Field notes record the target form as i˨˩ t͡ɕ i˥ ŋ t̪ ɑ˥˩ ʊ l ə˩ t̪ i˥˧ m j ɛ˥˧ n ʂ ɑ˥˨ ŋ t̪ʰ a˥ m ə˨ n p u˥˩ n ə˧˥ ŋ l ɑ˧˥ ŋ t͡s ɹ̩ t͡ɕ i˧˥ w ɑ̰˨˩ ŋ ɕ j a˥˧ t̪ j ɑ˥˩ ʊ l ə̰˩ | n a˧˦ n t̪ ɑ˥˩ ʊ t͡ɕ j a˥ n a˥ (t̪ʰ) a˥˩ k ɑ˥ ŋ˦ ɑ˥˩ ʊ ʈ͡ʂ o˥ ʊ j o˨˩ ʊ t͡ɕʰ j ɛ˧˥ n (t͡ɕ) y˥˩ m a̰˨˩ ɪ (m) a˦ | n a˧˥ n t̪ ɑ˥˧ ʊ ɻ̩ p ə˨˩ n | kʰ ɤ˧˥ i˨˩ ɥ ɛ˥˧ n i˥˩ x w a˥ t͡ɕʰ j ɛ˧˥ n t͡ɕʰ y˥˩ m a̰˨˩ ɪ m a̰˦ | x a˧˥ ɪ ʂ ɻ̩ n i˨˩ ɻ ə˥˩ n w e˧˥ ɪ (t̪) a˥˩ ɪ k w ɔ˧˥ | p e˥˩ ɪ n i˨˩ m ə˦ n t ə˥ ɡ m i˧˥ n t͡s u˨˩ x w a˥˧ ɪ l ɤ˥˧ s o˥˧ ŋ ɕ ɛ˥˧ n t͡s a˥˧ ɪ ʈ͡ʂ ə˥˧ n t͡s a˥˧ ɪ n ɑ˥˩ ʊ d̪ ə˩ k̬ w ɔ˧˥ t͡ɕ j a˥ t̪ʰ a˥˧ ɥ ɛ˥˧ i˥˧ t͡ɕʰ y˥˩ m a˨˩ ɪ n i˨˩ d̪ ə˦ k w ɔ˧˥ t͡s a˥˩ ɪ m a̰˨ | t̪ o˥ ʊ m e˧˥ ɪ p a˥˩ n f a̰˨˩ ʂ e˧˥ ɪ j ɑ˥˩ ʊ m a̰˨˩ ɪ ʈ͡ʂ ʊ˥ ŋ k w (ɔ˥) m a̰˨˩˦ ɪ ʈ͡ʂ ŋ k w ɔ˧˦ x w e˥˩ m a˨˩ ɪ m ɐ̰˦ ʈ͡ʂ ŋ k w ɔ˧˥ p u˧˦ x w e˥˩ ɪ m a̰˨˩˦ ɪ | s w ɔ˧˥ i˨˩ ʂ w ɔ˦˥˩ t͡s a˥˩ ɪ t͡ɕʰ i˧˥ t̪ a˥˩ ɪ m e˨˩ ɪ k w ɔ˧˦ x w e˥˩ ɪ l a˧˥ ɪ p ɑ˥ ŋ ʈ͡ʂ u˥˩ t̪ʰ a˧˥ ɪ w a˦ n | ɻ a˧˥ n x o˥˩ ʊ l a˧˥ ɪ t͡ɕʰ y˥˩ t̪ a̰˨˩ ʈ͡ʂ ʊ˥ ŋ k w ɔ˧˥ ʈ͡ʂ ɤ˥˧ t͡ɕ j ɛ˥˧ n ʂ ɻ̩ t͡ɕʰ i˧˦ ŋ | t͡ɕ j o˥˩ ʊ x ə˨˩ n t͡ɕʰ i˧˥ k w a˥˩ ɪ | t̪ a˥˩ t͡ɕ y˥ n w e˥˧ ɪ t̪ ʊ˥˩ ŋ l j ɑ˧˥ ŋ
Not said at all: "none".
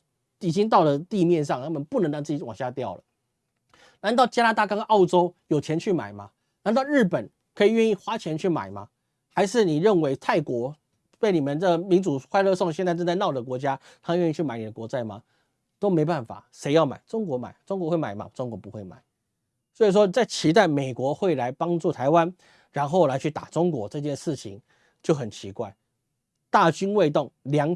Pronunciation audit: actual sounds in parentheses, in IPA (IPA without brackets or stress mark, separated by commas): t̪, t͡ɕʰ, m, t̪ʰ, ɔ˧˥